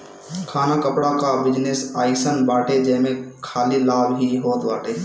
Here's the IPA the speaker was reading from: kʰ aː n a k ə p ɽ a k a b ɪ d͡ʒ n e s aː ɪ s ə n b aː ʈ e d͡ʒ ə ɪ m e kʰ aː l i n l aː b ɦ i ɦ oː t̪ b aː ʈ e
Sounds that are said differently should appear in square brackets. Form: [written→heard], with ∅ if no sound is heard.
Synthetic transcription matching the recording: kʰ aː n a k ə p ɽ a k a b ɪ d͡ʒ n e s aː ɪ s ə n b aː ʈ e d͡ʒ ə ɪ m e kʰ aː l i [n→∅] l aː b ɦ i ɦ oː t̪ b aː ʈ e